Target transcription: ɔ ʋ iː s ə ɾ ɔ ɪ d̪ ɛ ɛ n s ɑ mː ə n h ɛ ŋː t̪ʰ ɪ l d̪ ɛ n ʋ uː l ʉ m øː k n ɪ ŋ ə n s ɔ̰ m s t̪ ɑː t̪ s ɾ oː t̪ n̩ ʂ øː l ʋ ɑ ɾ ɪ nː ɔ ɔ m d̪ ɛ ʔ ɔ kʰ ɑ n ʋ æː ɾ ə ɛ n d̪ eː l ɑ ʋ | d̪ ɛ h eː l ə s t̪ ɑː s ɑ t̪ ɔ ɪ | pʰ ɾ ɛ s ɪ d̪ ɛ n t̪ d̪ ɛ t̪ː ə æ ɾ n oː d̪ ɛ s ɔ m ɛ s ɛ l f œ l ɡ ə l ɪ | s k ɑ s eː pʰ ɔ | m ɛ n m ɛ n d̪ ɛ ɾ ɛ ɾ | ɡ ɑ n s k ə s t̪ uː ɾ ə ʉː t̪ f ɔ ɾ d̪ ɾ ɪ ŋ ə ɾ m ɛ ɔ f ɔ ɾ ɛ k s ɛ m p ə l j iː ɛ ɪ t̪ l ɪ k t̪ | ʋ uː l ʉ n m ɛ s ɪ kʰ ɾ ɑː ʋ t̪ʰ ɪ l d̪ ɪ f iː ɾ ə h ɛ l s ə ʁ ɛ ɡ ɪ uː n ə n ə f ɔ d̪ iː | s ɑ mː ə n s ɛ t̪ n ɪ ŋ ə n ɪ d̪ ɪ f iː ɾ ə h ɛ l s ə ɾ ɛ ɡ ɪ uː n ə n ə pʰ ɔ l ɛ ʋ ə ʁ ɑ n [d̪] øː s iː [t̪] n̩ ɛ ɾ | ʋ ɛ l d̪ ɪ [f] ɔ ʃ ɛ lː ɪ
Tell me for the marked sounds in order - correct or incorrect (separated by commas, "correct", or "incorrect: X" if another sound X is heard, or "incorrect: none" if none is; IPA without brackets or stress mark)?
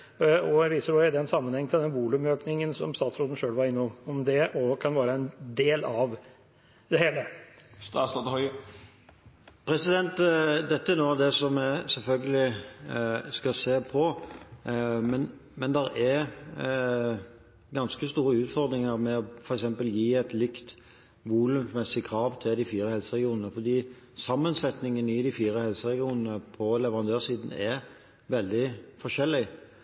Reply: correct, incorrect: d̪, correct